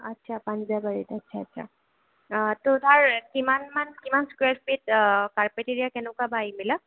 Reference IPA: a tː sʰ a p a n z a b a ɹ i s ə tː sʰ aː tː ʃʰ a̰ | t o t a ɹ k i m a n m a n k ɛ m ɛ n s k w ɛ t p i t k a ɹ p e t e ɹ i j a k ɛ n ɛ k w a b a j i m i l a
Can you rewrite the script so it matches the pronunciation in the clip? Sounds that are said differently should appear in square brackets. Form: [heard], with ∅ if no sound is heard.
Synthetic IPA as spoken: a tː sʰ a p a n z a b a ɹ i [t] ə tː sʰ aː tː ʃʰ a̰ | t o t a ɹ k i m a n m a n k [i] m [a] n s k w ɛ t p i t k a ɹ p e t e ɹ i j a k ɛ n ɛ k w a b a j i m i l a